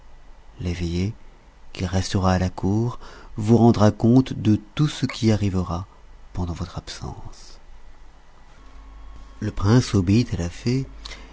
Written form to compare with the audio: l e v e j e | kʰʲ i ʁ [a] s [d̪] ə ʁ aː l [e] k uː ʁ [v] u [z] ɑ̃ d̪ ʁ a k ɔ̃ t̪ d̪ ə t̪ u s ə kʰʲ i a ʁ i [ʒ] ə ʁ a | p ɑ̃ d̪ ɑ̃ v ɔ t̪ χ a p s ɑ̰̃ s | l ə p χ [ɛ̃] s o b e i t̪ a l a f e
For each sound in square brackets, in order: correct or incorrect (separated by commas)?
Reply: incorrect, incorrect, incorrect, correct, incorrect, incorrect, correct